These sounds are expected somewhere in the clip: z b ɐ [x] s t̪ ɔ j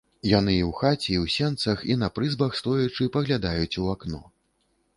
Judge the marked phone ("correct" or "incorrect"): correct